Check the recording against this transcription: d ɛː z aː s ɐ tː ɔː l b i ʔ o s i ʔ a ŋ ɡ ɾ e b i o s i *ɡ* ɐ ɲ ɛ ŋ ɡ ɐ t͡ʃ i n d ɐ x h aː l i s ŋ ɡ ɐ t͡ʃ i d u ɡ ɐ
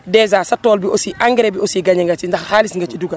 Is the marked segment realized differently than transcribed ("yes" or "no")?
no